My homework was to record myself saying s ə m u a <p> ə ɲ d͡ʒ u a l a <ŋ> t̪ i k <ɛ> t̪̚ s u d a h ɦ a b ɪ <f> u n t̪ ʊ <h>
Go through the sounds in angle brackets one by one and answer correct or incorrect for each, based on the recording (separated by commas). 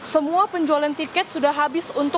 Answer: correct, incorrect, correct, incorrect, incorrect